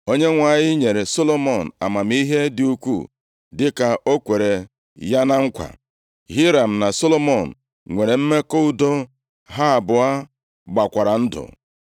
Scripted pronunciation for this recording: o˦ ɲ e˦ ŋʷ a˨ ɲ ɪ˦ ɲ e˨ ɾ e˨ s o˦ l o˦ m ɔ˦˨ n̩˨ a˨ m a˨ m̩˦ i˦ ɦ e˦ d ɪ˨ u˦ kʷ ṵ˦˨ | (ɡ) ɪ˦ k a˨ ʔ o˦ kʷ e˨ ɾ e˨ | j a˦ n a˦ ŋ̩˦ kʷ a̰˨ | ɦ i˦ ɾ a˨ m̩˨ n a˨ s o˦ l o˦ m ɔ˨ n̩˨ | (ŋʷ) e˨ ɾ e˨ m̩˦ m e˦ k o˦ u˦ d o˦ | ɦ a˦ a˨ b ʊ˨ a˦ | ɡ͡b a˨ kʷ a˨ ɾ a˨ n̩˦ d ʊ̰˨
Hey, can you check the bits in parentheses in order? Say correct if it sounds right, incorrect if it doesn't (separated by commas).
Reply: incorrect, correct